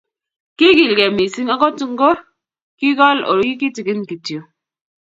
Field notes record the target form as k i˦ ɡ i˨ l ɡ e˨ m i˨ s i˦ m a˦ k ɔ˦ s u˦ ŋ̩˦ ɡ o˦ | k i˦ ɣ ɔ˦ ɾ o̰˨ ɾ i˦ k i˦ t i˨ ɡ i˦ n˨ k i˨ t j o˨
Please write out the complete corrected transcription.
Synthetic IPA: k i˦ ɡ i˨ l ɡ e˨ m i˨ s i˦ ŋ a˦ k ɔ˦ t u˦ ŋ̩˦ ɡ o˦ | k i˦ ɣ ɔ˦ l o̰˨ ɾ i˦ k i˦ t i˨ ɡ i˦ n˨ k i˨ t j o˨